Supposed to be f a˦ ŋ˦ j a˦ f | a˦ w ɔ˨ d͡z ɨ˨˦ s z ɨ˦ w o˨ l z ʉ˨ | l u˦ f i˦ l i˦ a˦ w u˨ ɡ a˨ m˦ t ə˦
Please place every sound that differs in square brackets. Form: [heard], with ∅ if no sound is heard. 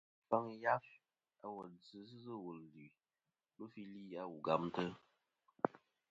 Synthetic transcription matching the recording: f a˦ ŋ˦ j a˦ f | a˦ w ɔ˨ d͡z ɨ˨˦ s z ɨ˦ w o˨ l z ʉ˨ | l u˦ f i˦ l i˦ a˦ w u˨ ɡ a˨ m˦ t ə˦